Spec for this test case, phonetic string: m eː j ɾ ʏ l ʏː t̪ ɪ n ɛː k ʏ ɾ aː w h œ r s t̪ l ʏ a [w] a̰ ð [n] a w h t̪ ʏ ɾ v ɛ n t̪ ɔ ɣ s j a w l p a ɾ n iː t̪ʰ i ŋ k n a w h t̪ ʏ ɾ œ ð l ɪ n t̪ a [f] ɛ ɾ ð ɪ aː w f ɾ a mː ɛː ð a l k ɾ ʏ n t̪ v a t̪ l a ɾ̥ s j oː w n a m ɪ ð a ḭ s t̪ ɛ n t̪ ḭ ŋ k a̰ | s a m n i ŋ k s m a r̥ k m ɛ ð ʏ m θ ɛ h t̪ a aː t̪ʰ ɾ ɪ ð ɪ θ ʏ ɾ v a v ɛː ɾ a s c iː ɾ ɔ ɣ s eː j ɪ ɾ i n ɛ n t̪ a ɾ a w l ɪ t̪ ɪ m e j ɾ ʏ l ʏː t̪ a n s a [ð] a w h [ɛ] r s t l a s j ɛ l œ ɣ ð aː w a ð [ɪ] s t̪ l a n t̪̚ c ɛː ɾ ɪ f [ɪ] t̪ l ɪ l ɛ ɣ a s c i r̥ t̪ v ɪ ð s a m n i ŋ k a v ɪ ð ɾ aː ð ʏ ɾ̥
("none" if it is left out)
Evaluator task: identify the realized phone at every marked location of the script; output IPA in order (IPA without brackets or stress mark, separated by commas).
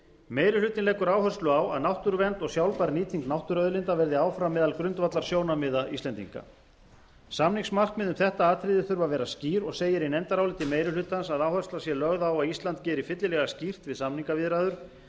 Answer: w, n, v, ð, œ, i, ɪ